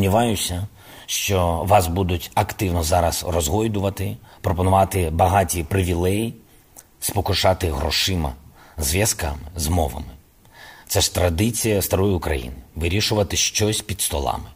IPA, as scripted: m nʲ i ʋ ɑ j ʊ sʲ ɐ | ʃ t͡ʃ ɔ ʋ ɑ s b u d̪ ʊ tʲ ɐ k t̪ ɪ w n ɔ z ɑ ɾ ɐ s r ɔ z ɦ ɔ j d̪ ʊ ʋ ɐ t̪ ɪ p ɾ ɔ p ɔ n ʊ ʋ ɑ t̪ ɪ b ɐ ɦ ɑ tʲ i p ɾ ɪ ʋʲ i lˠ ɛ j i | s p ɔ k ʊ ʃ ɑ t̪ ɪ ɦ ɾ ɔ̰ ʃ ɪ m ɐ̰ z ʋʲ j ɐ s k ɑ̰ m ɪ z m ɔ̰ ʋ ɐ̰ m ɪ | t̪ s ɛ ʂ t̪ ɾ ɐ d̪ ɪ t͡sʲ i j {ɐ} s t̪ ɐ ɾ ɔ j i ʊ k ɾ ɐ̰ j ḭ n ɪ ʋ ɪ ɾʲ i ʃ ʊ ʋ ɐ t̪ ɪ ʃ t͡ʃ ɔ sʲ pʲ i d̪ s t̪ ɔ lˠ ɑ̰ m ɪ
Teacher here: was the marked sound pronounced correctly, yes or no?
yes